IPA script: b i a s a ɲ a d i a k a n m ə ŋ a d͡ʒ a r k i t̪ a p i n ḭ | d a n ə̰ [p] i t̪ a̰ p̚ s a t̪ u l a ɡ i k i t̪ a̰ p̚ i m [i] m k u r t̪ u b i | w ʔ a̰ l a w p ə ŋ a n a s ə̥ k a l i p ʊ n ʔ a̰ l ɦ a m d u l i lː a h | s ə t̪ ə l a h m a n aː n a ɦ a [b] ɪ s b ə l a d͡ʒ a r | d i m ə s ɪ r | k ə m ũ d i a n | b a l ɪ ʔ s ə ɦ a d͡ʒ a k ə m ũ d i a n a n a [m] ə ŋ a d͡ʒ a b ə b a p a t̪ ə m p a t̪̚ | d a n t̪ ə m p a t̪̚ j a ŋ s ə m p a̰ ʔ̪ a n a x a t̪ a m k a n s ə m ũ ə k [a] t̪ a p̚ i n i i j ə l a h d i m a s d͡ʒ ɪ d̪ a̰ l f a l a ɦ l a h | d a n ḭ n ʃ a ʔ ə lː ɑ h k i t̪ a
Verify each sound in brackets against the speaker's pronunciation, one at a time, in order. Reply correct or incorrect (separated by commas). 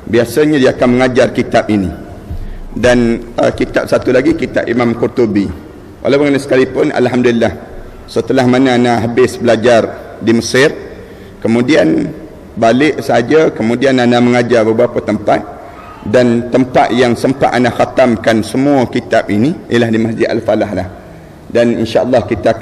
incorrect, incorrect, correct, correct, incorrect